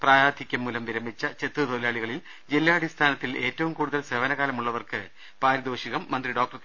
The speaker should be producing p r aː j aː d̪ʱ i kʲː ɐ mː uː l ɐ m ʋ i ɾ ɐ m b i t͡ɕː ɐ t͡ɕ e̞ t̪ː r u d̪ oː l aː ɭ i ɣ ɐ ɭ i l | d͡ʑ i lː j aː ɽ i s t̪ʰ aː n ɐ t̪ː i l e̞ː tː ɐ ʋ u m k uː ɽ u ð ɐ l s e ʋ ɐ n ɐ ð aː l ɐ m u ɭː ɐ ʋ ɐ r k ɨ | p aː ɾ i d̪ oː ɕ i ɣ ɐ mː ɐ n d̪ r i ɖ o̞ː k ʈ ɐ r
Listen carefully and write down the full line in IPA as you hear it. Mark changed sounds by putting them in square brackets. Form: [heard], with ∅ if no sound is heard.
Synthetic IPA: p r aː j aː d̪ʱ i kʲː ɐ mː uː l ɐ m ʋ i ɾ ɐ m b i t͡ɕː ɐ t͡ɕ e̞ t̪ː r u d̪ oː l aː ɭ i ɣ ɐ ɭ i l | d͡ʑ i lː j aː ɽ i s t̪ʰ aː n ɐ t̪ː i l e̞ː tː ɐ ʋ u m k uː ɽ u ð ɐ l s e ʋ ɐ n ɐ [ɣ] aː l ɐ m u ɭː ɐ ʋ ɐ r k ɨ | p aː ɾ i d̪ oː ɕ i ɣ ɐ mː ɐ n d̪ r i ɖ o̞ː k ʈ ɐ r